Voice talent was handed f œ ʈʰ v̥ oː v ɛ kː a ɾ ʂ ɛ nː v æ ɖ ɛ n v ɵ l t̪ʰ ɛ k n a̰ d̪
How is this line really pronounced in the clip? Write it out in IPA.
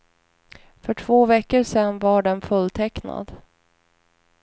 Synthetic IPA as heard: f œ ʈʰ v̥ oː v ɛ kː ə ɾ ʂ ɛ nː v a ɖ ɛ n f ɵ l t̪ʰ ɛ k n a̰ d̪